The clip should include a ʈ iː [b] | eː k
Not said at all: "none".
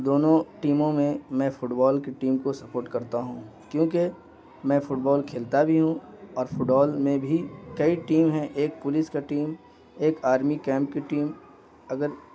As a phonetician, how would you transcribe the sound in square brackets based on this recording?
m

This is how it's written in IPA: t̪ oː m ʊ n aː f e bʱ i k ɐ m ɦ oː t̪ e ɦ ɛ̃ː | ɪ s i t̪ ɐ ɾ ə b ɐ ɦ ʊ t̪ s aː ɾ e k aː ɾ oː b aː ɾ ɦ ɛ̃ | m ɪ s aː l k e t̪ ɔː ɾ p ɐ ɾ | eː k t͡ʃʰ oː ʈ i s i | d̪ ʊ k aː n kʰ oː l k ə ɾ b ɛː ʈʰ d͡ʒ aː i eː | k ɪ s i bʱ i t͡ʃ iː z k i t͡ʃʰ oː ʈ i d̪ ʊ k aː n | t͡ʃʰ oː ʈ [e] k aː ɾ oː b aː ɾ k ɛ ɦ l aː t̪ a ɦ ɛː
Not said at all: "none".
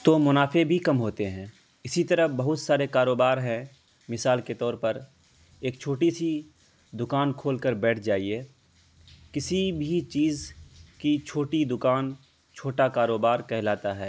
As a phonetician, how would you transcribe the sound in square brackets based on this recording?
a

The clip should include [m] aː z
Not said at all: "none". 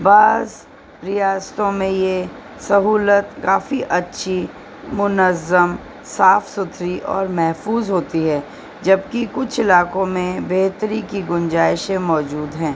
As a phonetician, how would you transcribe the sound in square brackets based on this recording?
b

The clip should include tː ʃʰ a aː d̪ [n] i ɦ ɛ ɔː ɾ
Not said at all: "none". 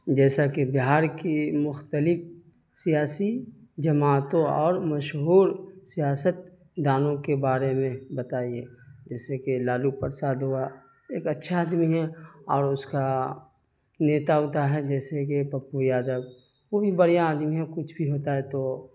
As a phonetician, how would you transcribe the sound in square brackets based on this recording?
m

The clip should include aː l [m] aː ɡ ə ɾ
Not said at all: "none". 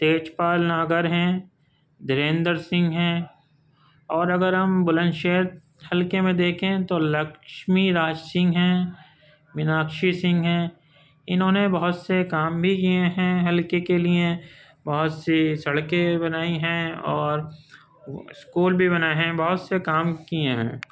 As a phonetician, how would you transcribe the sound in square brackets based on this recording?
n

